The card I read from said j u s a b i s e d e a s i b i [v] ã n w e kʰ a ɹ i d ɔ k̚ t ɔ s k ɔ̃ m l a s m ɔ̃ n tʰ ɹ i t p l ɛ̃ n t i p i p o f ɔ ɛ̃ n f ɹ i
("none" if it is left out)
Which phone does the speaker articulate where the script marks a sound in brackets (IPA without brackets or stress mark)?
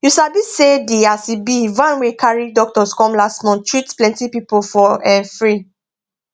v